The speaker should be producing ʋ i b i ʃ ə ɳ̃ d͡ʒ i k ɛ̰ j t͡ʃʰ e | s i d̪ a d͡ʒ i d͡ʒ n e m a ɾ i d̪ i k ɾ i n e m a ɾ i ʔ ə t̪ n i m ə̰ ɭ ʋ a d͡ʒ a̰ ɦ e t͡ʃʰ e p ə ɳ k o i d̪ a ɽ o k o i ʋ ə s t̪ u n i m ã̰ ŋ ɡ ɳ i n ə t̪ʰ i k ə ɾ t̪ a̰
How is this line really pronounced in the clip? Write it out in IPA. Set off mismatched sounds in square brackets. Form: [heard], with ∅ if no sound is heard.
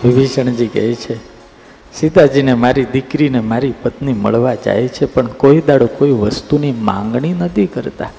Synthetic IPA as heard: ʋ i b i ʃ ə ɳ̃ d͡ʒ i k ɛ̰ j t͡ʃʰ e | s i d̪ a d͡ʒ i [∅] n e m a ɾ i d̪ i k ɾ i n e m a ɾ i [p] ə t̪ n i m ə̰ ɭ ʋ a d͡ʒ a̰ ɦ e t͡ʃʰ e p ə ɳ k o i d̪ a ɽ o k o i ʋ ə s t̪ u n i m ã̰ ŋ ɡ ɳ i n ə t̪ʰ i k ə ɾ t̪ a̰